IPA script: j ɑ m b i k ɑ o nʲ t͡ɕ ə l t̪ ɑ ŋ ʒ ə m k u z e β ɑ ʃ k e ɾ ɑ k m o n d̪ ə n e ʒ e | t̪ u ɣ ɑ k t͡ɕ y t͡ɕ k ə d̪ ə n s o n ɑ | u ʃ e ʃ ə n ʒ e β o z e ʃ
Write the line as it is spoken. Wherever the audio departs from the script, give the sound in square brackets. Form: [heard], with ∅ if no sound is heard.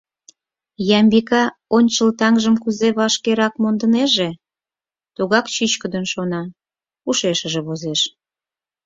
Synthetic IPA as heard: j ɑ m b i k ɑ o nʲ t͡ɕ ə l t̪ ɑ ŋ ʒ ə m k u z e β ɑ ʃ k e ɾ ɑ k m o n d̪ ə n e ʒ e | t̪ u ɣ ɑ k t͡ɕ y t͡ɕ k ə d̪ ə n [ʃ] o n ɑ | u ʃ e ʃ ə [∅] ʒ e β o z e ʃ